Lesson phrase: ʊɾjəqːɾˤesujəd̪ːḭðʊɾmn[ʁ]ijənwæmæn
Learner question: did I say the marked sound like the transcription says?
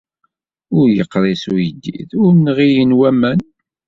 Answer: yes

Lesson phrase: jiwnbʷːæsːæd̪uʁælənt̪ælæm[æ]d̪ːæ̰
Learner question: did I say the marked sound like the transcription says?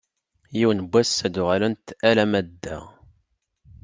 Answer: yes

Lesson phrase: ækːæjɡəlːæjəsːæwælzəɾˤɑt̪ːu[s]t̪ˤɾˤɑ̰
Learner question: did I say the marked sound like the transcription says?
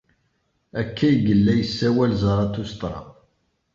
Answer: yes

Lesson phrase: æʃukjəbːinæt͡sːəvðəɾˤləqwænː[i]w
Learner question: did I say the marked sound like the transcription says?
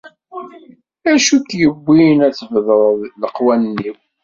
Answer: yes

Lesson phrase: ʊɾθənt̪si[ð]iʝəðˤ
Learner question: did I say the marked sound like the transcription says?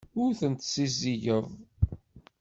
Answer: no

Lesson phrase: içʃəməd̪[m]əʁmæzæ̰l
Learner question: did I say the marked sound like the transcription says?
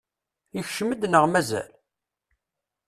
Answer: no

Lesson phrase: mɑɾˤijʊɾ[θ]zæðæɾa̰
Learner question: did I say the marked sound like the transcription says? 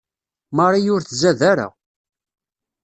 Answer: yes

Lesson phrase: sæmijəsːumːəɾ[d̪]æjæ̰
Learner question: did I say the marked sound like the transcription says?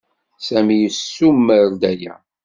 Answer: yes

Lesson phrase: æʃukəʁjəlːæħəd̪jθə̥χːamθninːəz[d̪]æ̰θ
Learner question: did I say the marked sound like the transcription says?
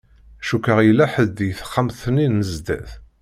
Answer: yes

